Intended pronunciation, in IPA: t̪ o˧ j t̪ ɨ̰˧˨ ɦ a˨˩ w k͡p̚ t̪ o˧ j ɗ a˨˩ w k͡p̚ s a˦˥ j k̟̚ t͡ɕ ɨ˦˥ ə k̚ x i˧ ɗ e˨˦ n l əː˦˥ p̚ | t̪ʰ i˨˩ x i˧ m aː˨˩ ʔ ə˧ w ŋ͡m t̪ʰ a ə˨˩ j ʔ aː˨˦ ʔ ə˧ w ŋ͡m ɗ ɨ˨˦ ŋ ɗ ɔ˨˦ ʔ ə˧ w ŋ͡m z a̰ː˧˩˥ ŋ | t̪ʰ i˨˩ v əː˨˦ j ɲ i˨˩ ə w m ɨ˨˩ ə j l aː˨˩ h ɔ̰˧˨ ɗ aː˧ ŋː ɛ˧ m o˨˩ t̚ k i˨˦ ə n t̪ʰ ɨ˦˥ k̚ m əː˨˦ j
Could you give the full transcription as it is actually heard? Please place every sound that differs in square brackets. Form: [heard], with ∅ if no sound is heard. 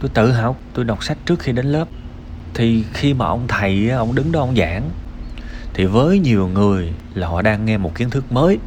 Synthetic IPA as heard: t̪ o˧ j t̪ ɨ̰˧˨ ɦ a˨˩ w k͡p̚ t̪ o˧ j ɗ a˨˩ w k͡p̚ s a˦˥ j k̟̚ t͡ɕ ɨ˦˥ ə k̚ x i˧ ɗ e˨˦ n l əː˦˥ p̚ | t̪ʰ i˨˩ x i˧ m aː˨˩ ʔ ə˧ w ŋ͡m t̪ʰ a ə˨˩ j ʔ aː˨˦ ʔ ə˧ w ŋ͡m ɗ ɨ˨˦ ŋ ɗ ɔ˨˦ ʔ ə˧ w ŋ͡m z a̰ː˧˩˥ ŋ | t̪ʰ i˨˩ v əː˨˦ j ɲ i˨˩ ə w [ŋ] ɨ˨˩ ə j l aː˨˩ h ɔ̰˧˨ ɗ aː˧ ŋː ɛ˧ m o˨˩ t̚ k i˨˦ ə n t̪ʰ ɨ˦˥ k̚ m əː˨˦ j